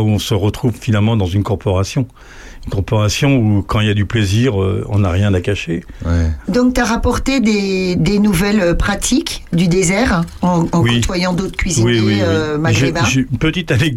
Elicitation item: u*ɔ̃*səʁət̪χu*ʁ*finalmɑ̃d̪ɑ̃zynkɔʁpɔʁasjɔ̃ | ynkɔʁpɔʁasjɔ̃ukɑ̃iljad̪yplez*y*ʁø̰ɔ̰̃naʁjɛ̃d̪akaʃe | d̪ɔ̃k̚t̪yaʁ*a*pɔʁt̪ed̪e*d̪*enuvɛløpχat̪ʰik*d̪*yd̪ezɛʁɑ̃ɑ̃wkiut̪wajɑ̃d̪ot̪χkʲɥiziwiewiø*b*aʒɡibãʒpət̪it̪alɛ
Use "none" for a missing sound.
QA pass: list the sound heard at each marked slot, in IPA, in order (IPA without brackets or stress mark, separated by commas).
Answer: ɔ̃, v, i, a, d̪, d̪, m